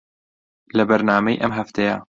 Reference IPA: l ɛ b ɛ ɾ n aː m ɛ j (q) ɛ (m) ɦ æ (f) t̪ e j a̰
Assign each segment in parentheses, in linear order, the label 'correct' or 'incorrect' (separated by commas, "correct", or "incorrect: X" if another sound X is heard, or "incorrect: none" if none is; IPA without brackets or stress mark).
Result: incorrect: ʔ, correct, correct